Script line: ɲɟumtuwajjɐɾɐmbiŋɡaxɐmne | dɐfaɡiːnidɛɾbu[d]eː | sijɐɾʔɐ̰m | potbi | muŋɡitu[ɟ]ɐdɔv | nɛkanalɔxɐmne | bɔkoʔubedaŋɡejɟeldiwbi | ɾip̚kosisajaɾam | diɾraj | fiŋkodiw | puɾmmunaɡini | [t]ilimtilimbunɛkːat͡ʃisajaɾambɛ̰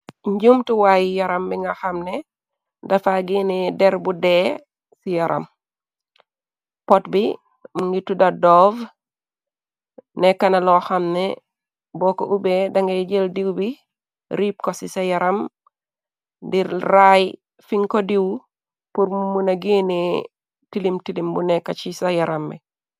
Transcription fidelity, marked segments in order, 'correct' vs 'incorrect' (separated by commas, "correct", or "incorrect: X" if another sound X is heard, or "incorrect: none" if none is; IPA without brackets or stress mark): correct, incorrect: d, correct